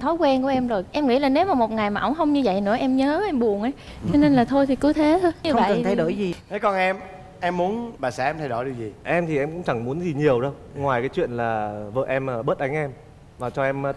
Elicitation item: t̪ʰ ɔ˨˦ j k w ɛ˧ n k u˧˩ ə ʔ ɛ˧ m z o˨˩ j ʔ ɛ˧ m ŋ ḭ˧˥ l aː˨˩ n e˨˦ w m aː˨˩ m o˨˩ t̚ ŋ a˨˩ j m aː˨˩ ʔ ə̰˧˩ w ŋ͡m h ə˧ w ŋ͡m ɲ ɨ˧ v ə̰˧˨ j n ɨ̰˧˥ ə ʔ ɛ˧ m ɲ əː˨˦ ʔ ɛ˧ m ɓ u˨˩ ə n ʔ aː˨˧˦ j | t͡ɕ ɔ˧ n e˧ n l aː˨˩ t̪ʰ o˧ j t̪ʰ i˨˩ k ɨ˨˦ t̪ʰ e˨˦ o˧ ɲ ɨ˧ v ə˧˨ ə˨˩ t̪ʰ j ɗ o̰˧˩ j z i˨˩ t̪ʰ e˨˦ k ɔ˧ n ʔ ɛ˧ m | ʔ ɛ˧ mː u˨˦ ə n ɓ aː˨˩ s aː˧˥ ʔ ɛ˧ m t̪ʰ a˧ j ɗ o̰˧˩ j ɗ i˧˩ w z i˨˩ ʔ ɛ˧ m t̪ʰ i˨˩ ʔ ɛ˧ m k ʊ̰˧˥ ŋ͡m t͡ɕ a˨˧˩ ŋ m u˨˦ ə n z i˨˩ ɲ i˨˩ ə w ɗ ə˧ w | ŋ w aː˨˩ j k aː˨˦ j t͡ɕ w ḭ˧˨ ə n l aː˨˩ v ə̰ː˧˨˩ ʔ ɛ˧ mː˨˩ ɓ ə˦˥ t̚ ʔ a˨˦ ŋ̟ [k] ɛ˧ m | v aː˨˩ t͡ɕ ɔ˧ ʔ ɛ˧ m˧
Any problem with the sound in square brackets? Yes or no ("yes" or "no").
yes